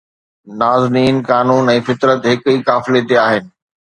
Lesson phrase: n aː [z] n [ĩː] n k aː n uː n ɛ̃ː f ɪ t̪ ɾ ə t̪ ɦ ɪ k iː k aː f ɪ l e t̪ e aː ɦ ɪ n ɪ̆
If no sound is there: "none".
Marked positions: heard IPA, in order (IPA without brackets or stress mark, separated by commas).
z, iː